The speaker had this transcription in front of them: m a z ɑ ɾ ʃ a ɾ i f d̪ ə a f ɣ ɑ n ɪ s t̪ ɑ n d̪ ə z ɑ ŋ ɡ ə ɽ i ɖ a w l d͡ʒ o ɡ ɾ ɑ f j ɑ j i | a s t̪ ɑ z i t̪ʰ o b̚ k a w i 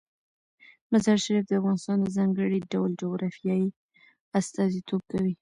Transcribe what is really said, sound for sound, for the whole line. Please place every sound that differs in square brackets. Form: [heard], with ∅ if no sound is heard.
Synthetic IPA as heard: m a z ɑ ɾ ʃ a ɾ i f d̪ ə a f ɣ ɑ n ɪ s t̪ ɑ n d̪ ə z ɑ ŋ ɡ ə ɽ i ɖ a w l d͡ʒ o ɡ ɾ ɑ f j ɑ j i | a s t̪ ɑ z i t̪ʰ o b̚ k a w i